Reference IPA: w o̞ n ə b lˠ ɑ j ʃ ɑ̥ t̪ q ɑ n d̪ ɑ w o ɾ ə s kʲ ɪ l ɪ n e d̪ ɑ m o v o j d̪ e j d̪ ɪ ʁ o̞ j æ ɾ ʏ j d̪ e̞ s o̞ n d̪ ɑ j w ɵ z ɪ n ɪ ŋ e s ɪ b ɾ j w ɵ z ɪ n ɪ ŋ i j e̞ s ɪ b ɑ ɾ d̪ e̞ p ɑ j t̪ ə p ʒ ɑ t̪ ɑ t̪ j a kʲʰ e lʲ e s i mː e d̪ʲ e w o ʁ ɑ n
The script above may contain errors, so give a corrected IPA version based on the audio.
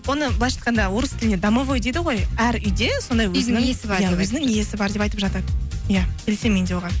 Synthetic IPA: w o̞ n ə b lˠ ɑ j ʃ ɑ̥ t̪ q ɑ n d̪ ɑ w o ɾ ə s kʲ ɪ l ɪ n e d̪ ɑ m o v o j d̪ e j d̪ ɪ ʁ o̞ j æ ɾ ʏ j d̪ e̞ s o̞ n d̪ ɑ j w ɵ z ɪ n ɪ ŋ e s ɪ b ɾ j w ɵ z ɪ n ɪ ŋ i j e̞ s ɪ b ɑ ɾ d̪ e̞ p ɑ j t̪ ə p ʒ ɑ t̪ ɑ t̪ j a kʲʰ e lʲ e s e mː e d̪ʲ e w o ʁ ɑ n